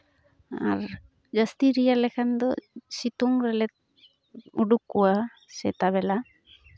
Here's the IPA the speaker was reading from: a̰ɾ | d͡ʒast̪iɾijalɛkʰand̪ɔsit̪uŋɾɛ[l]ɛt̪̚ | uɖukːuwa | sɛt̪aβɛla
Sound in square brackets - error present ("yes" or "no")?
no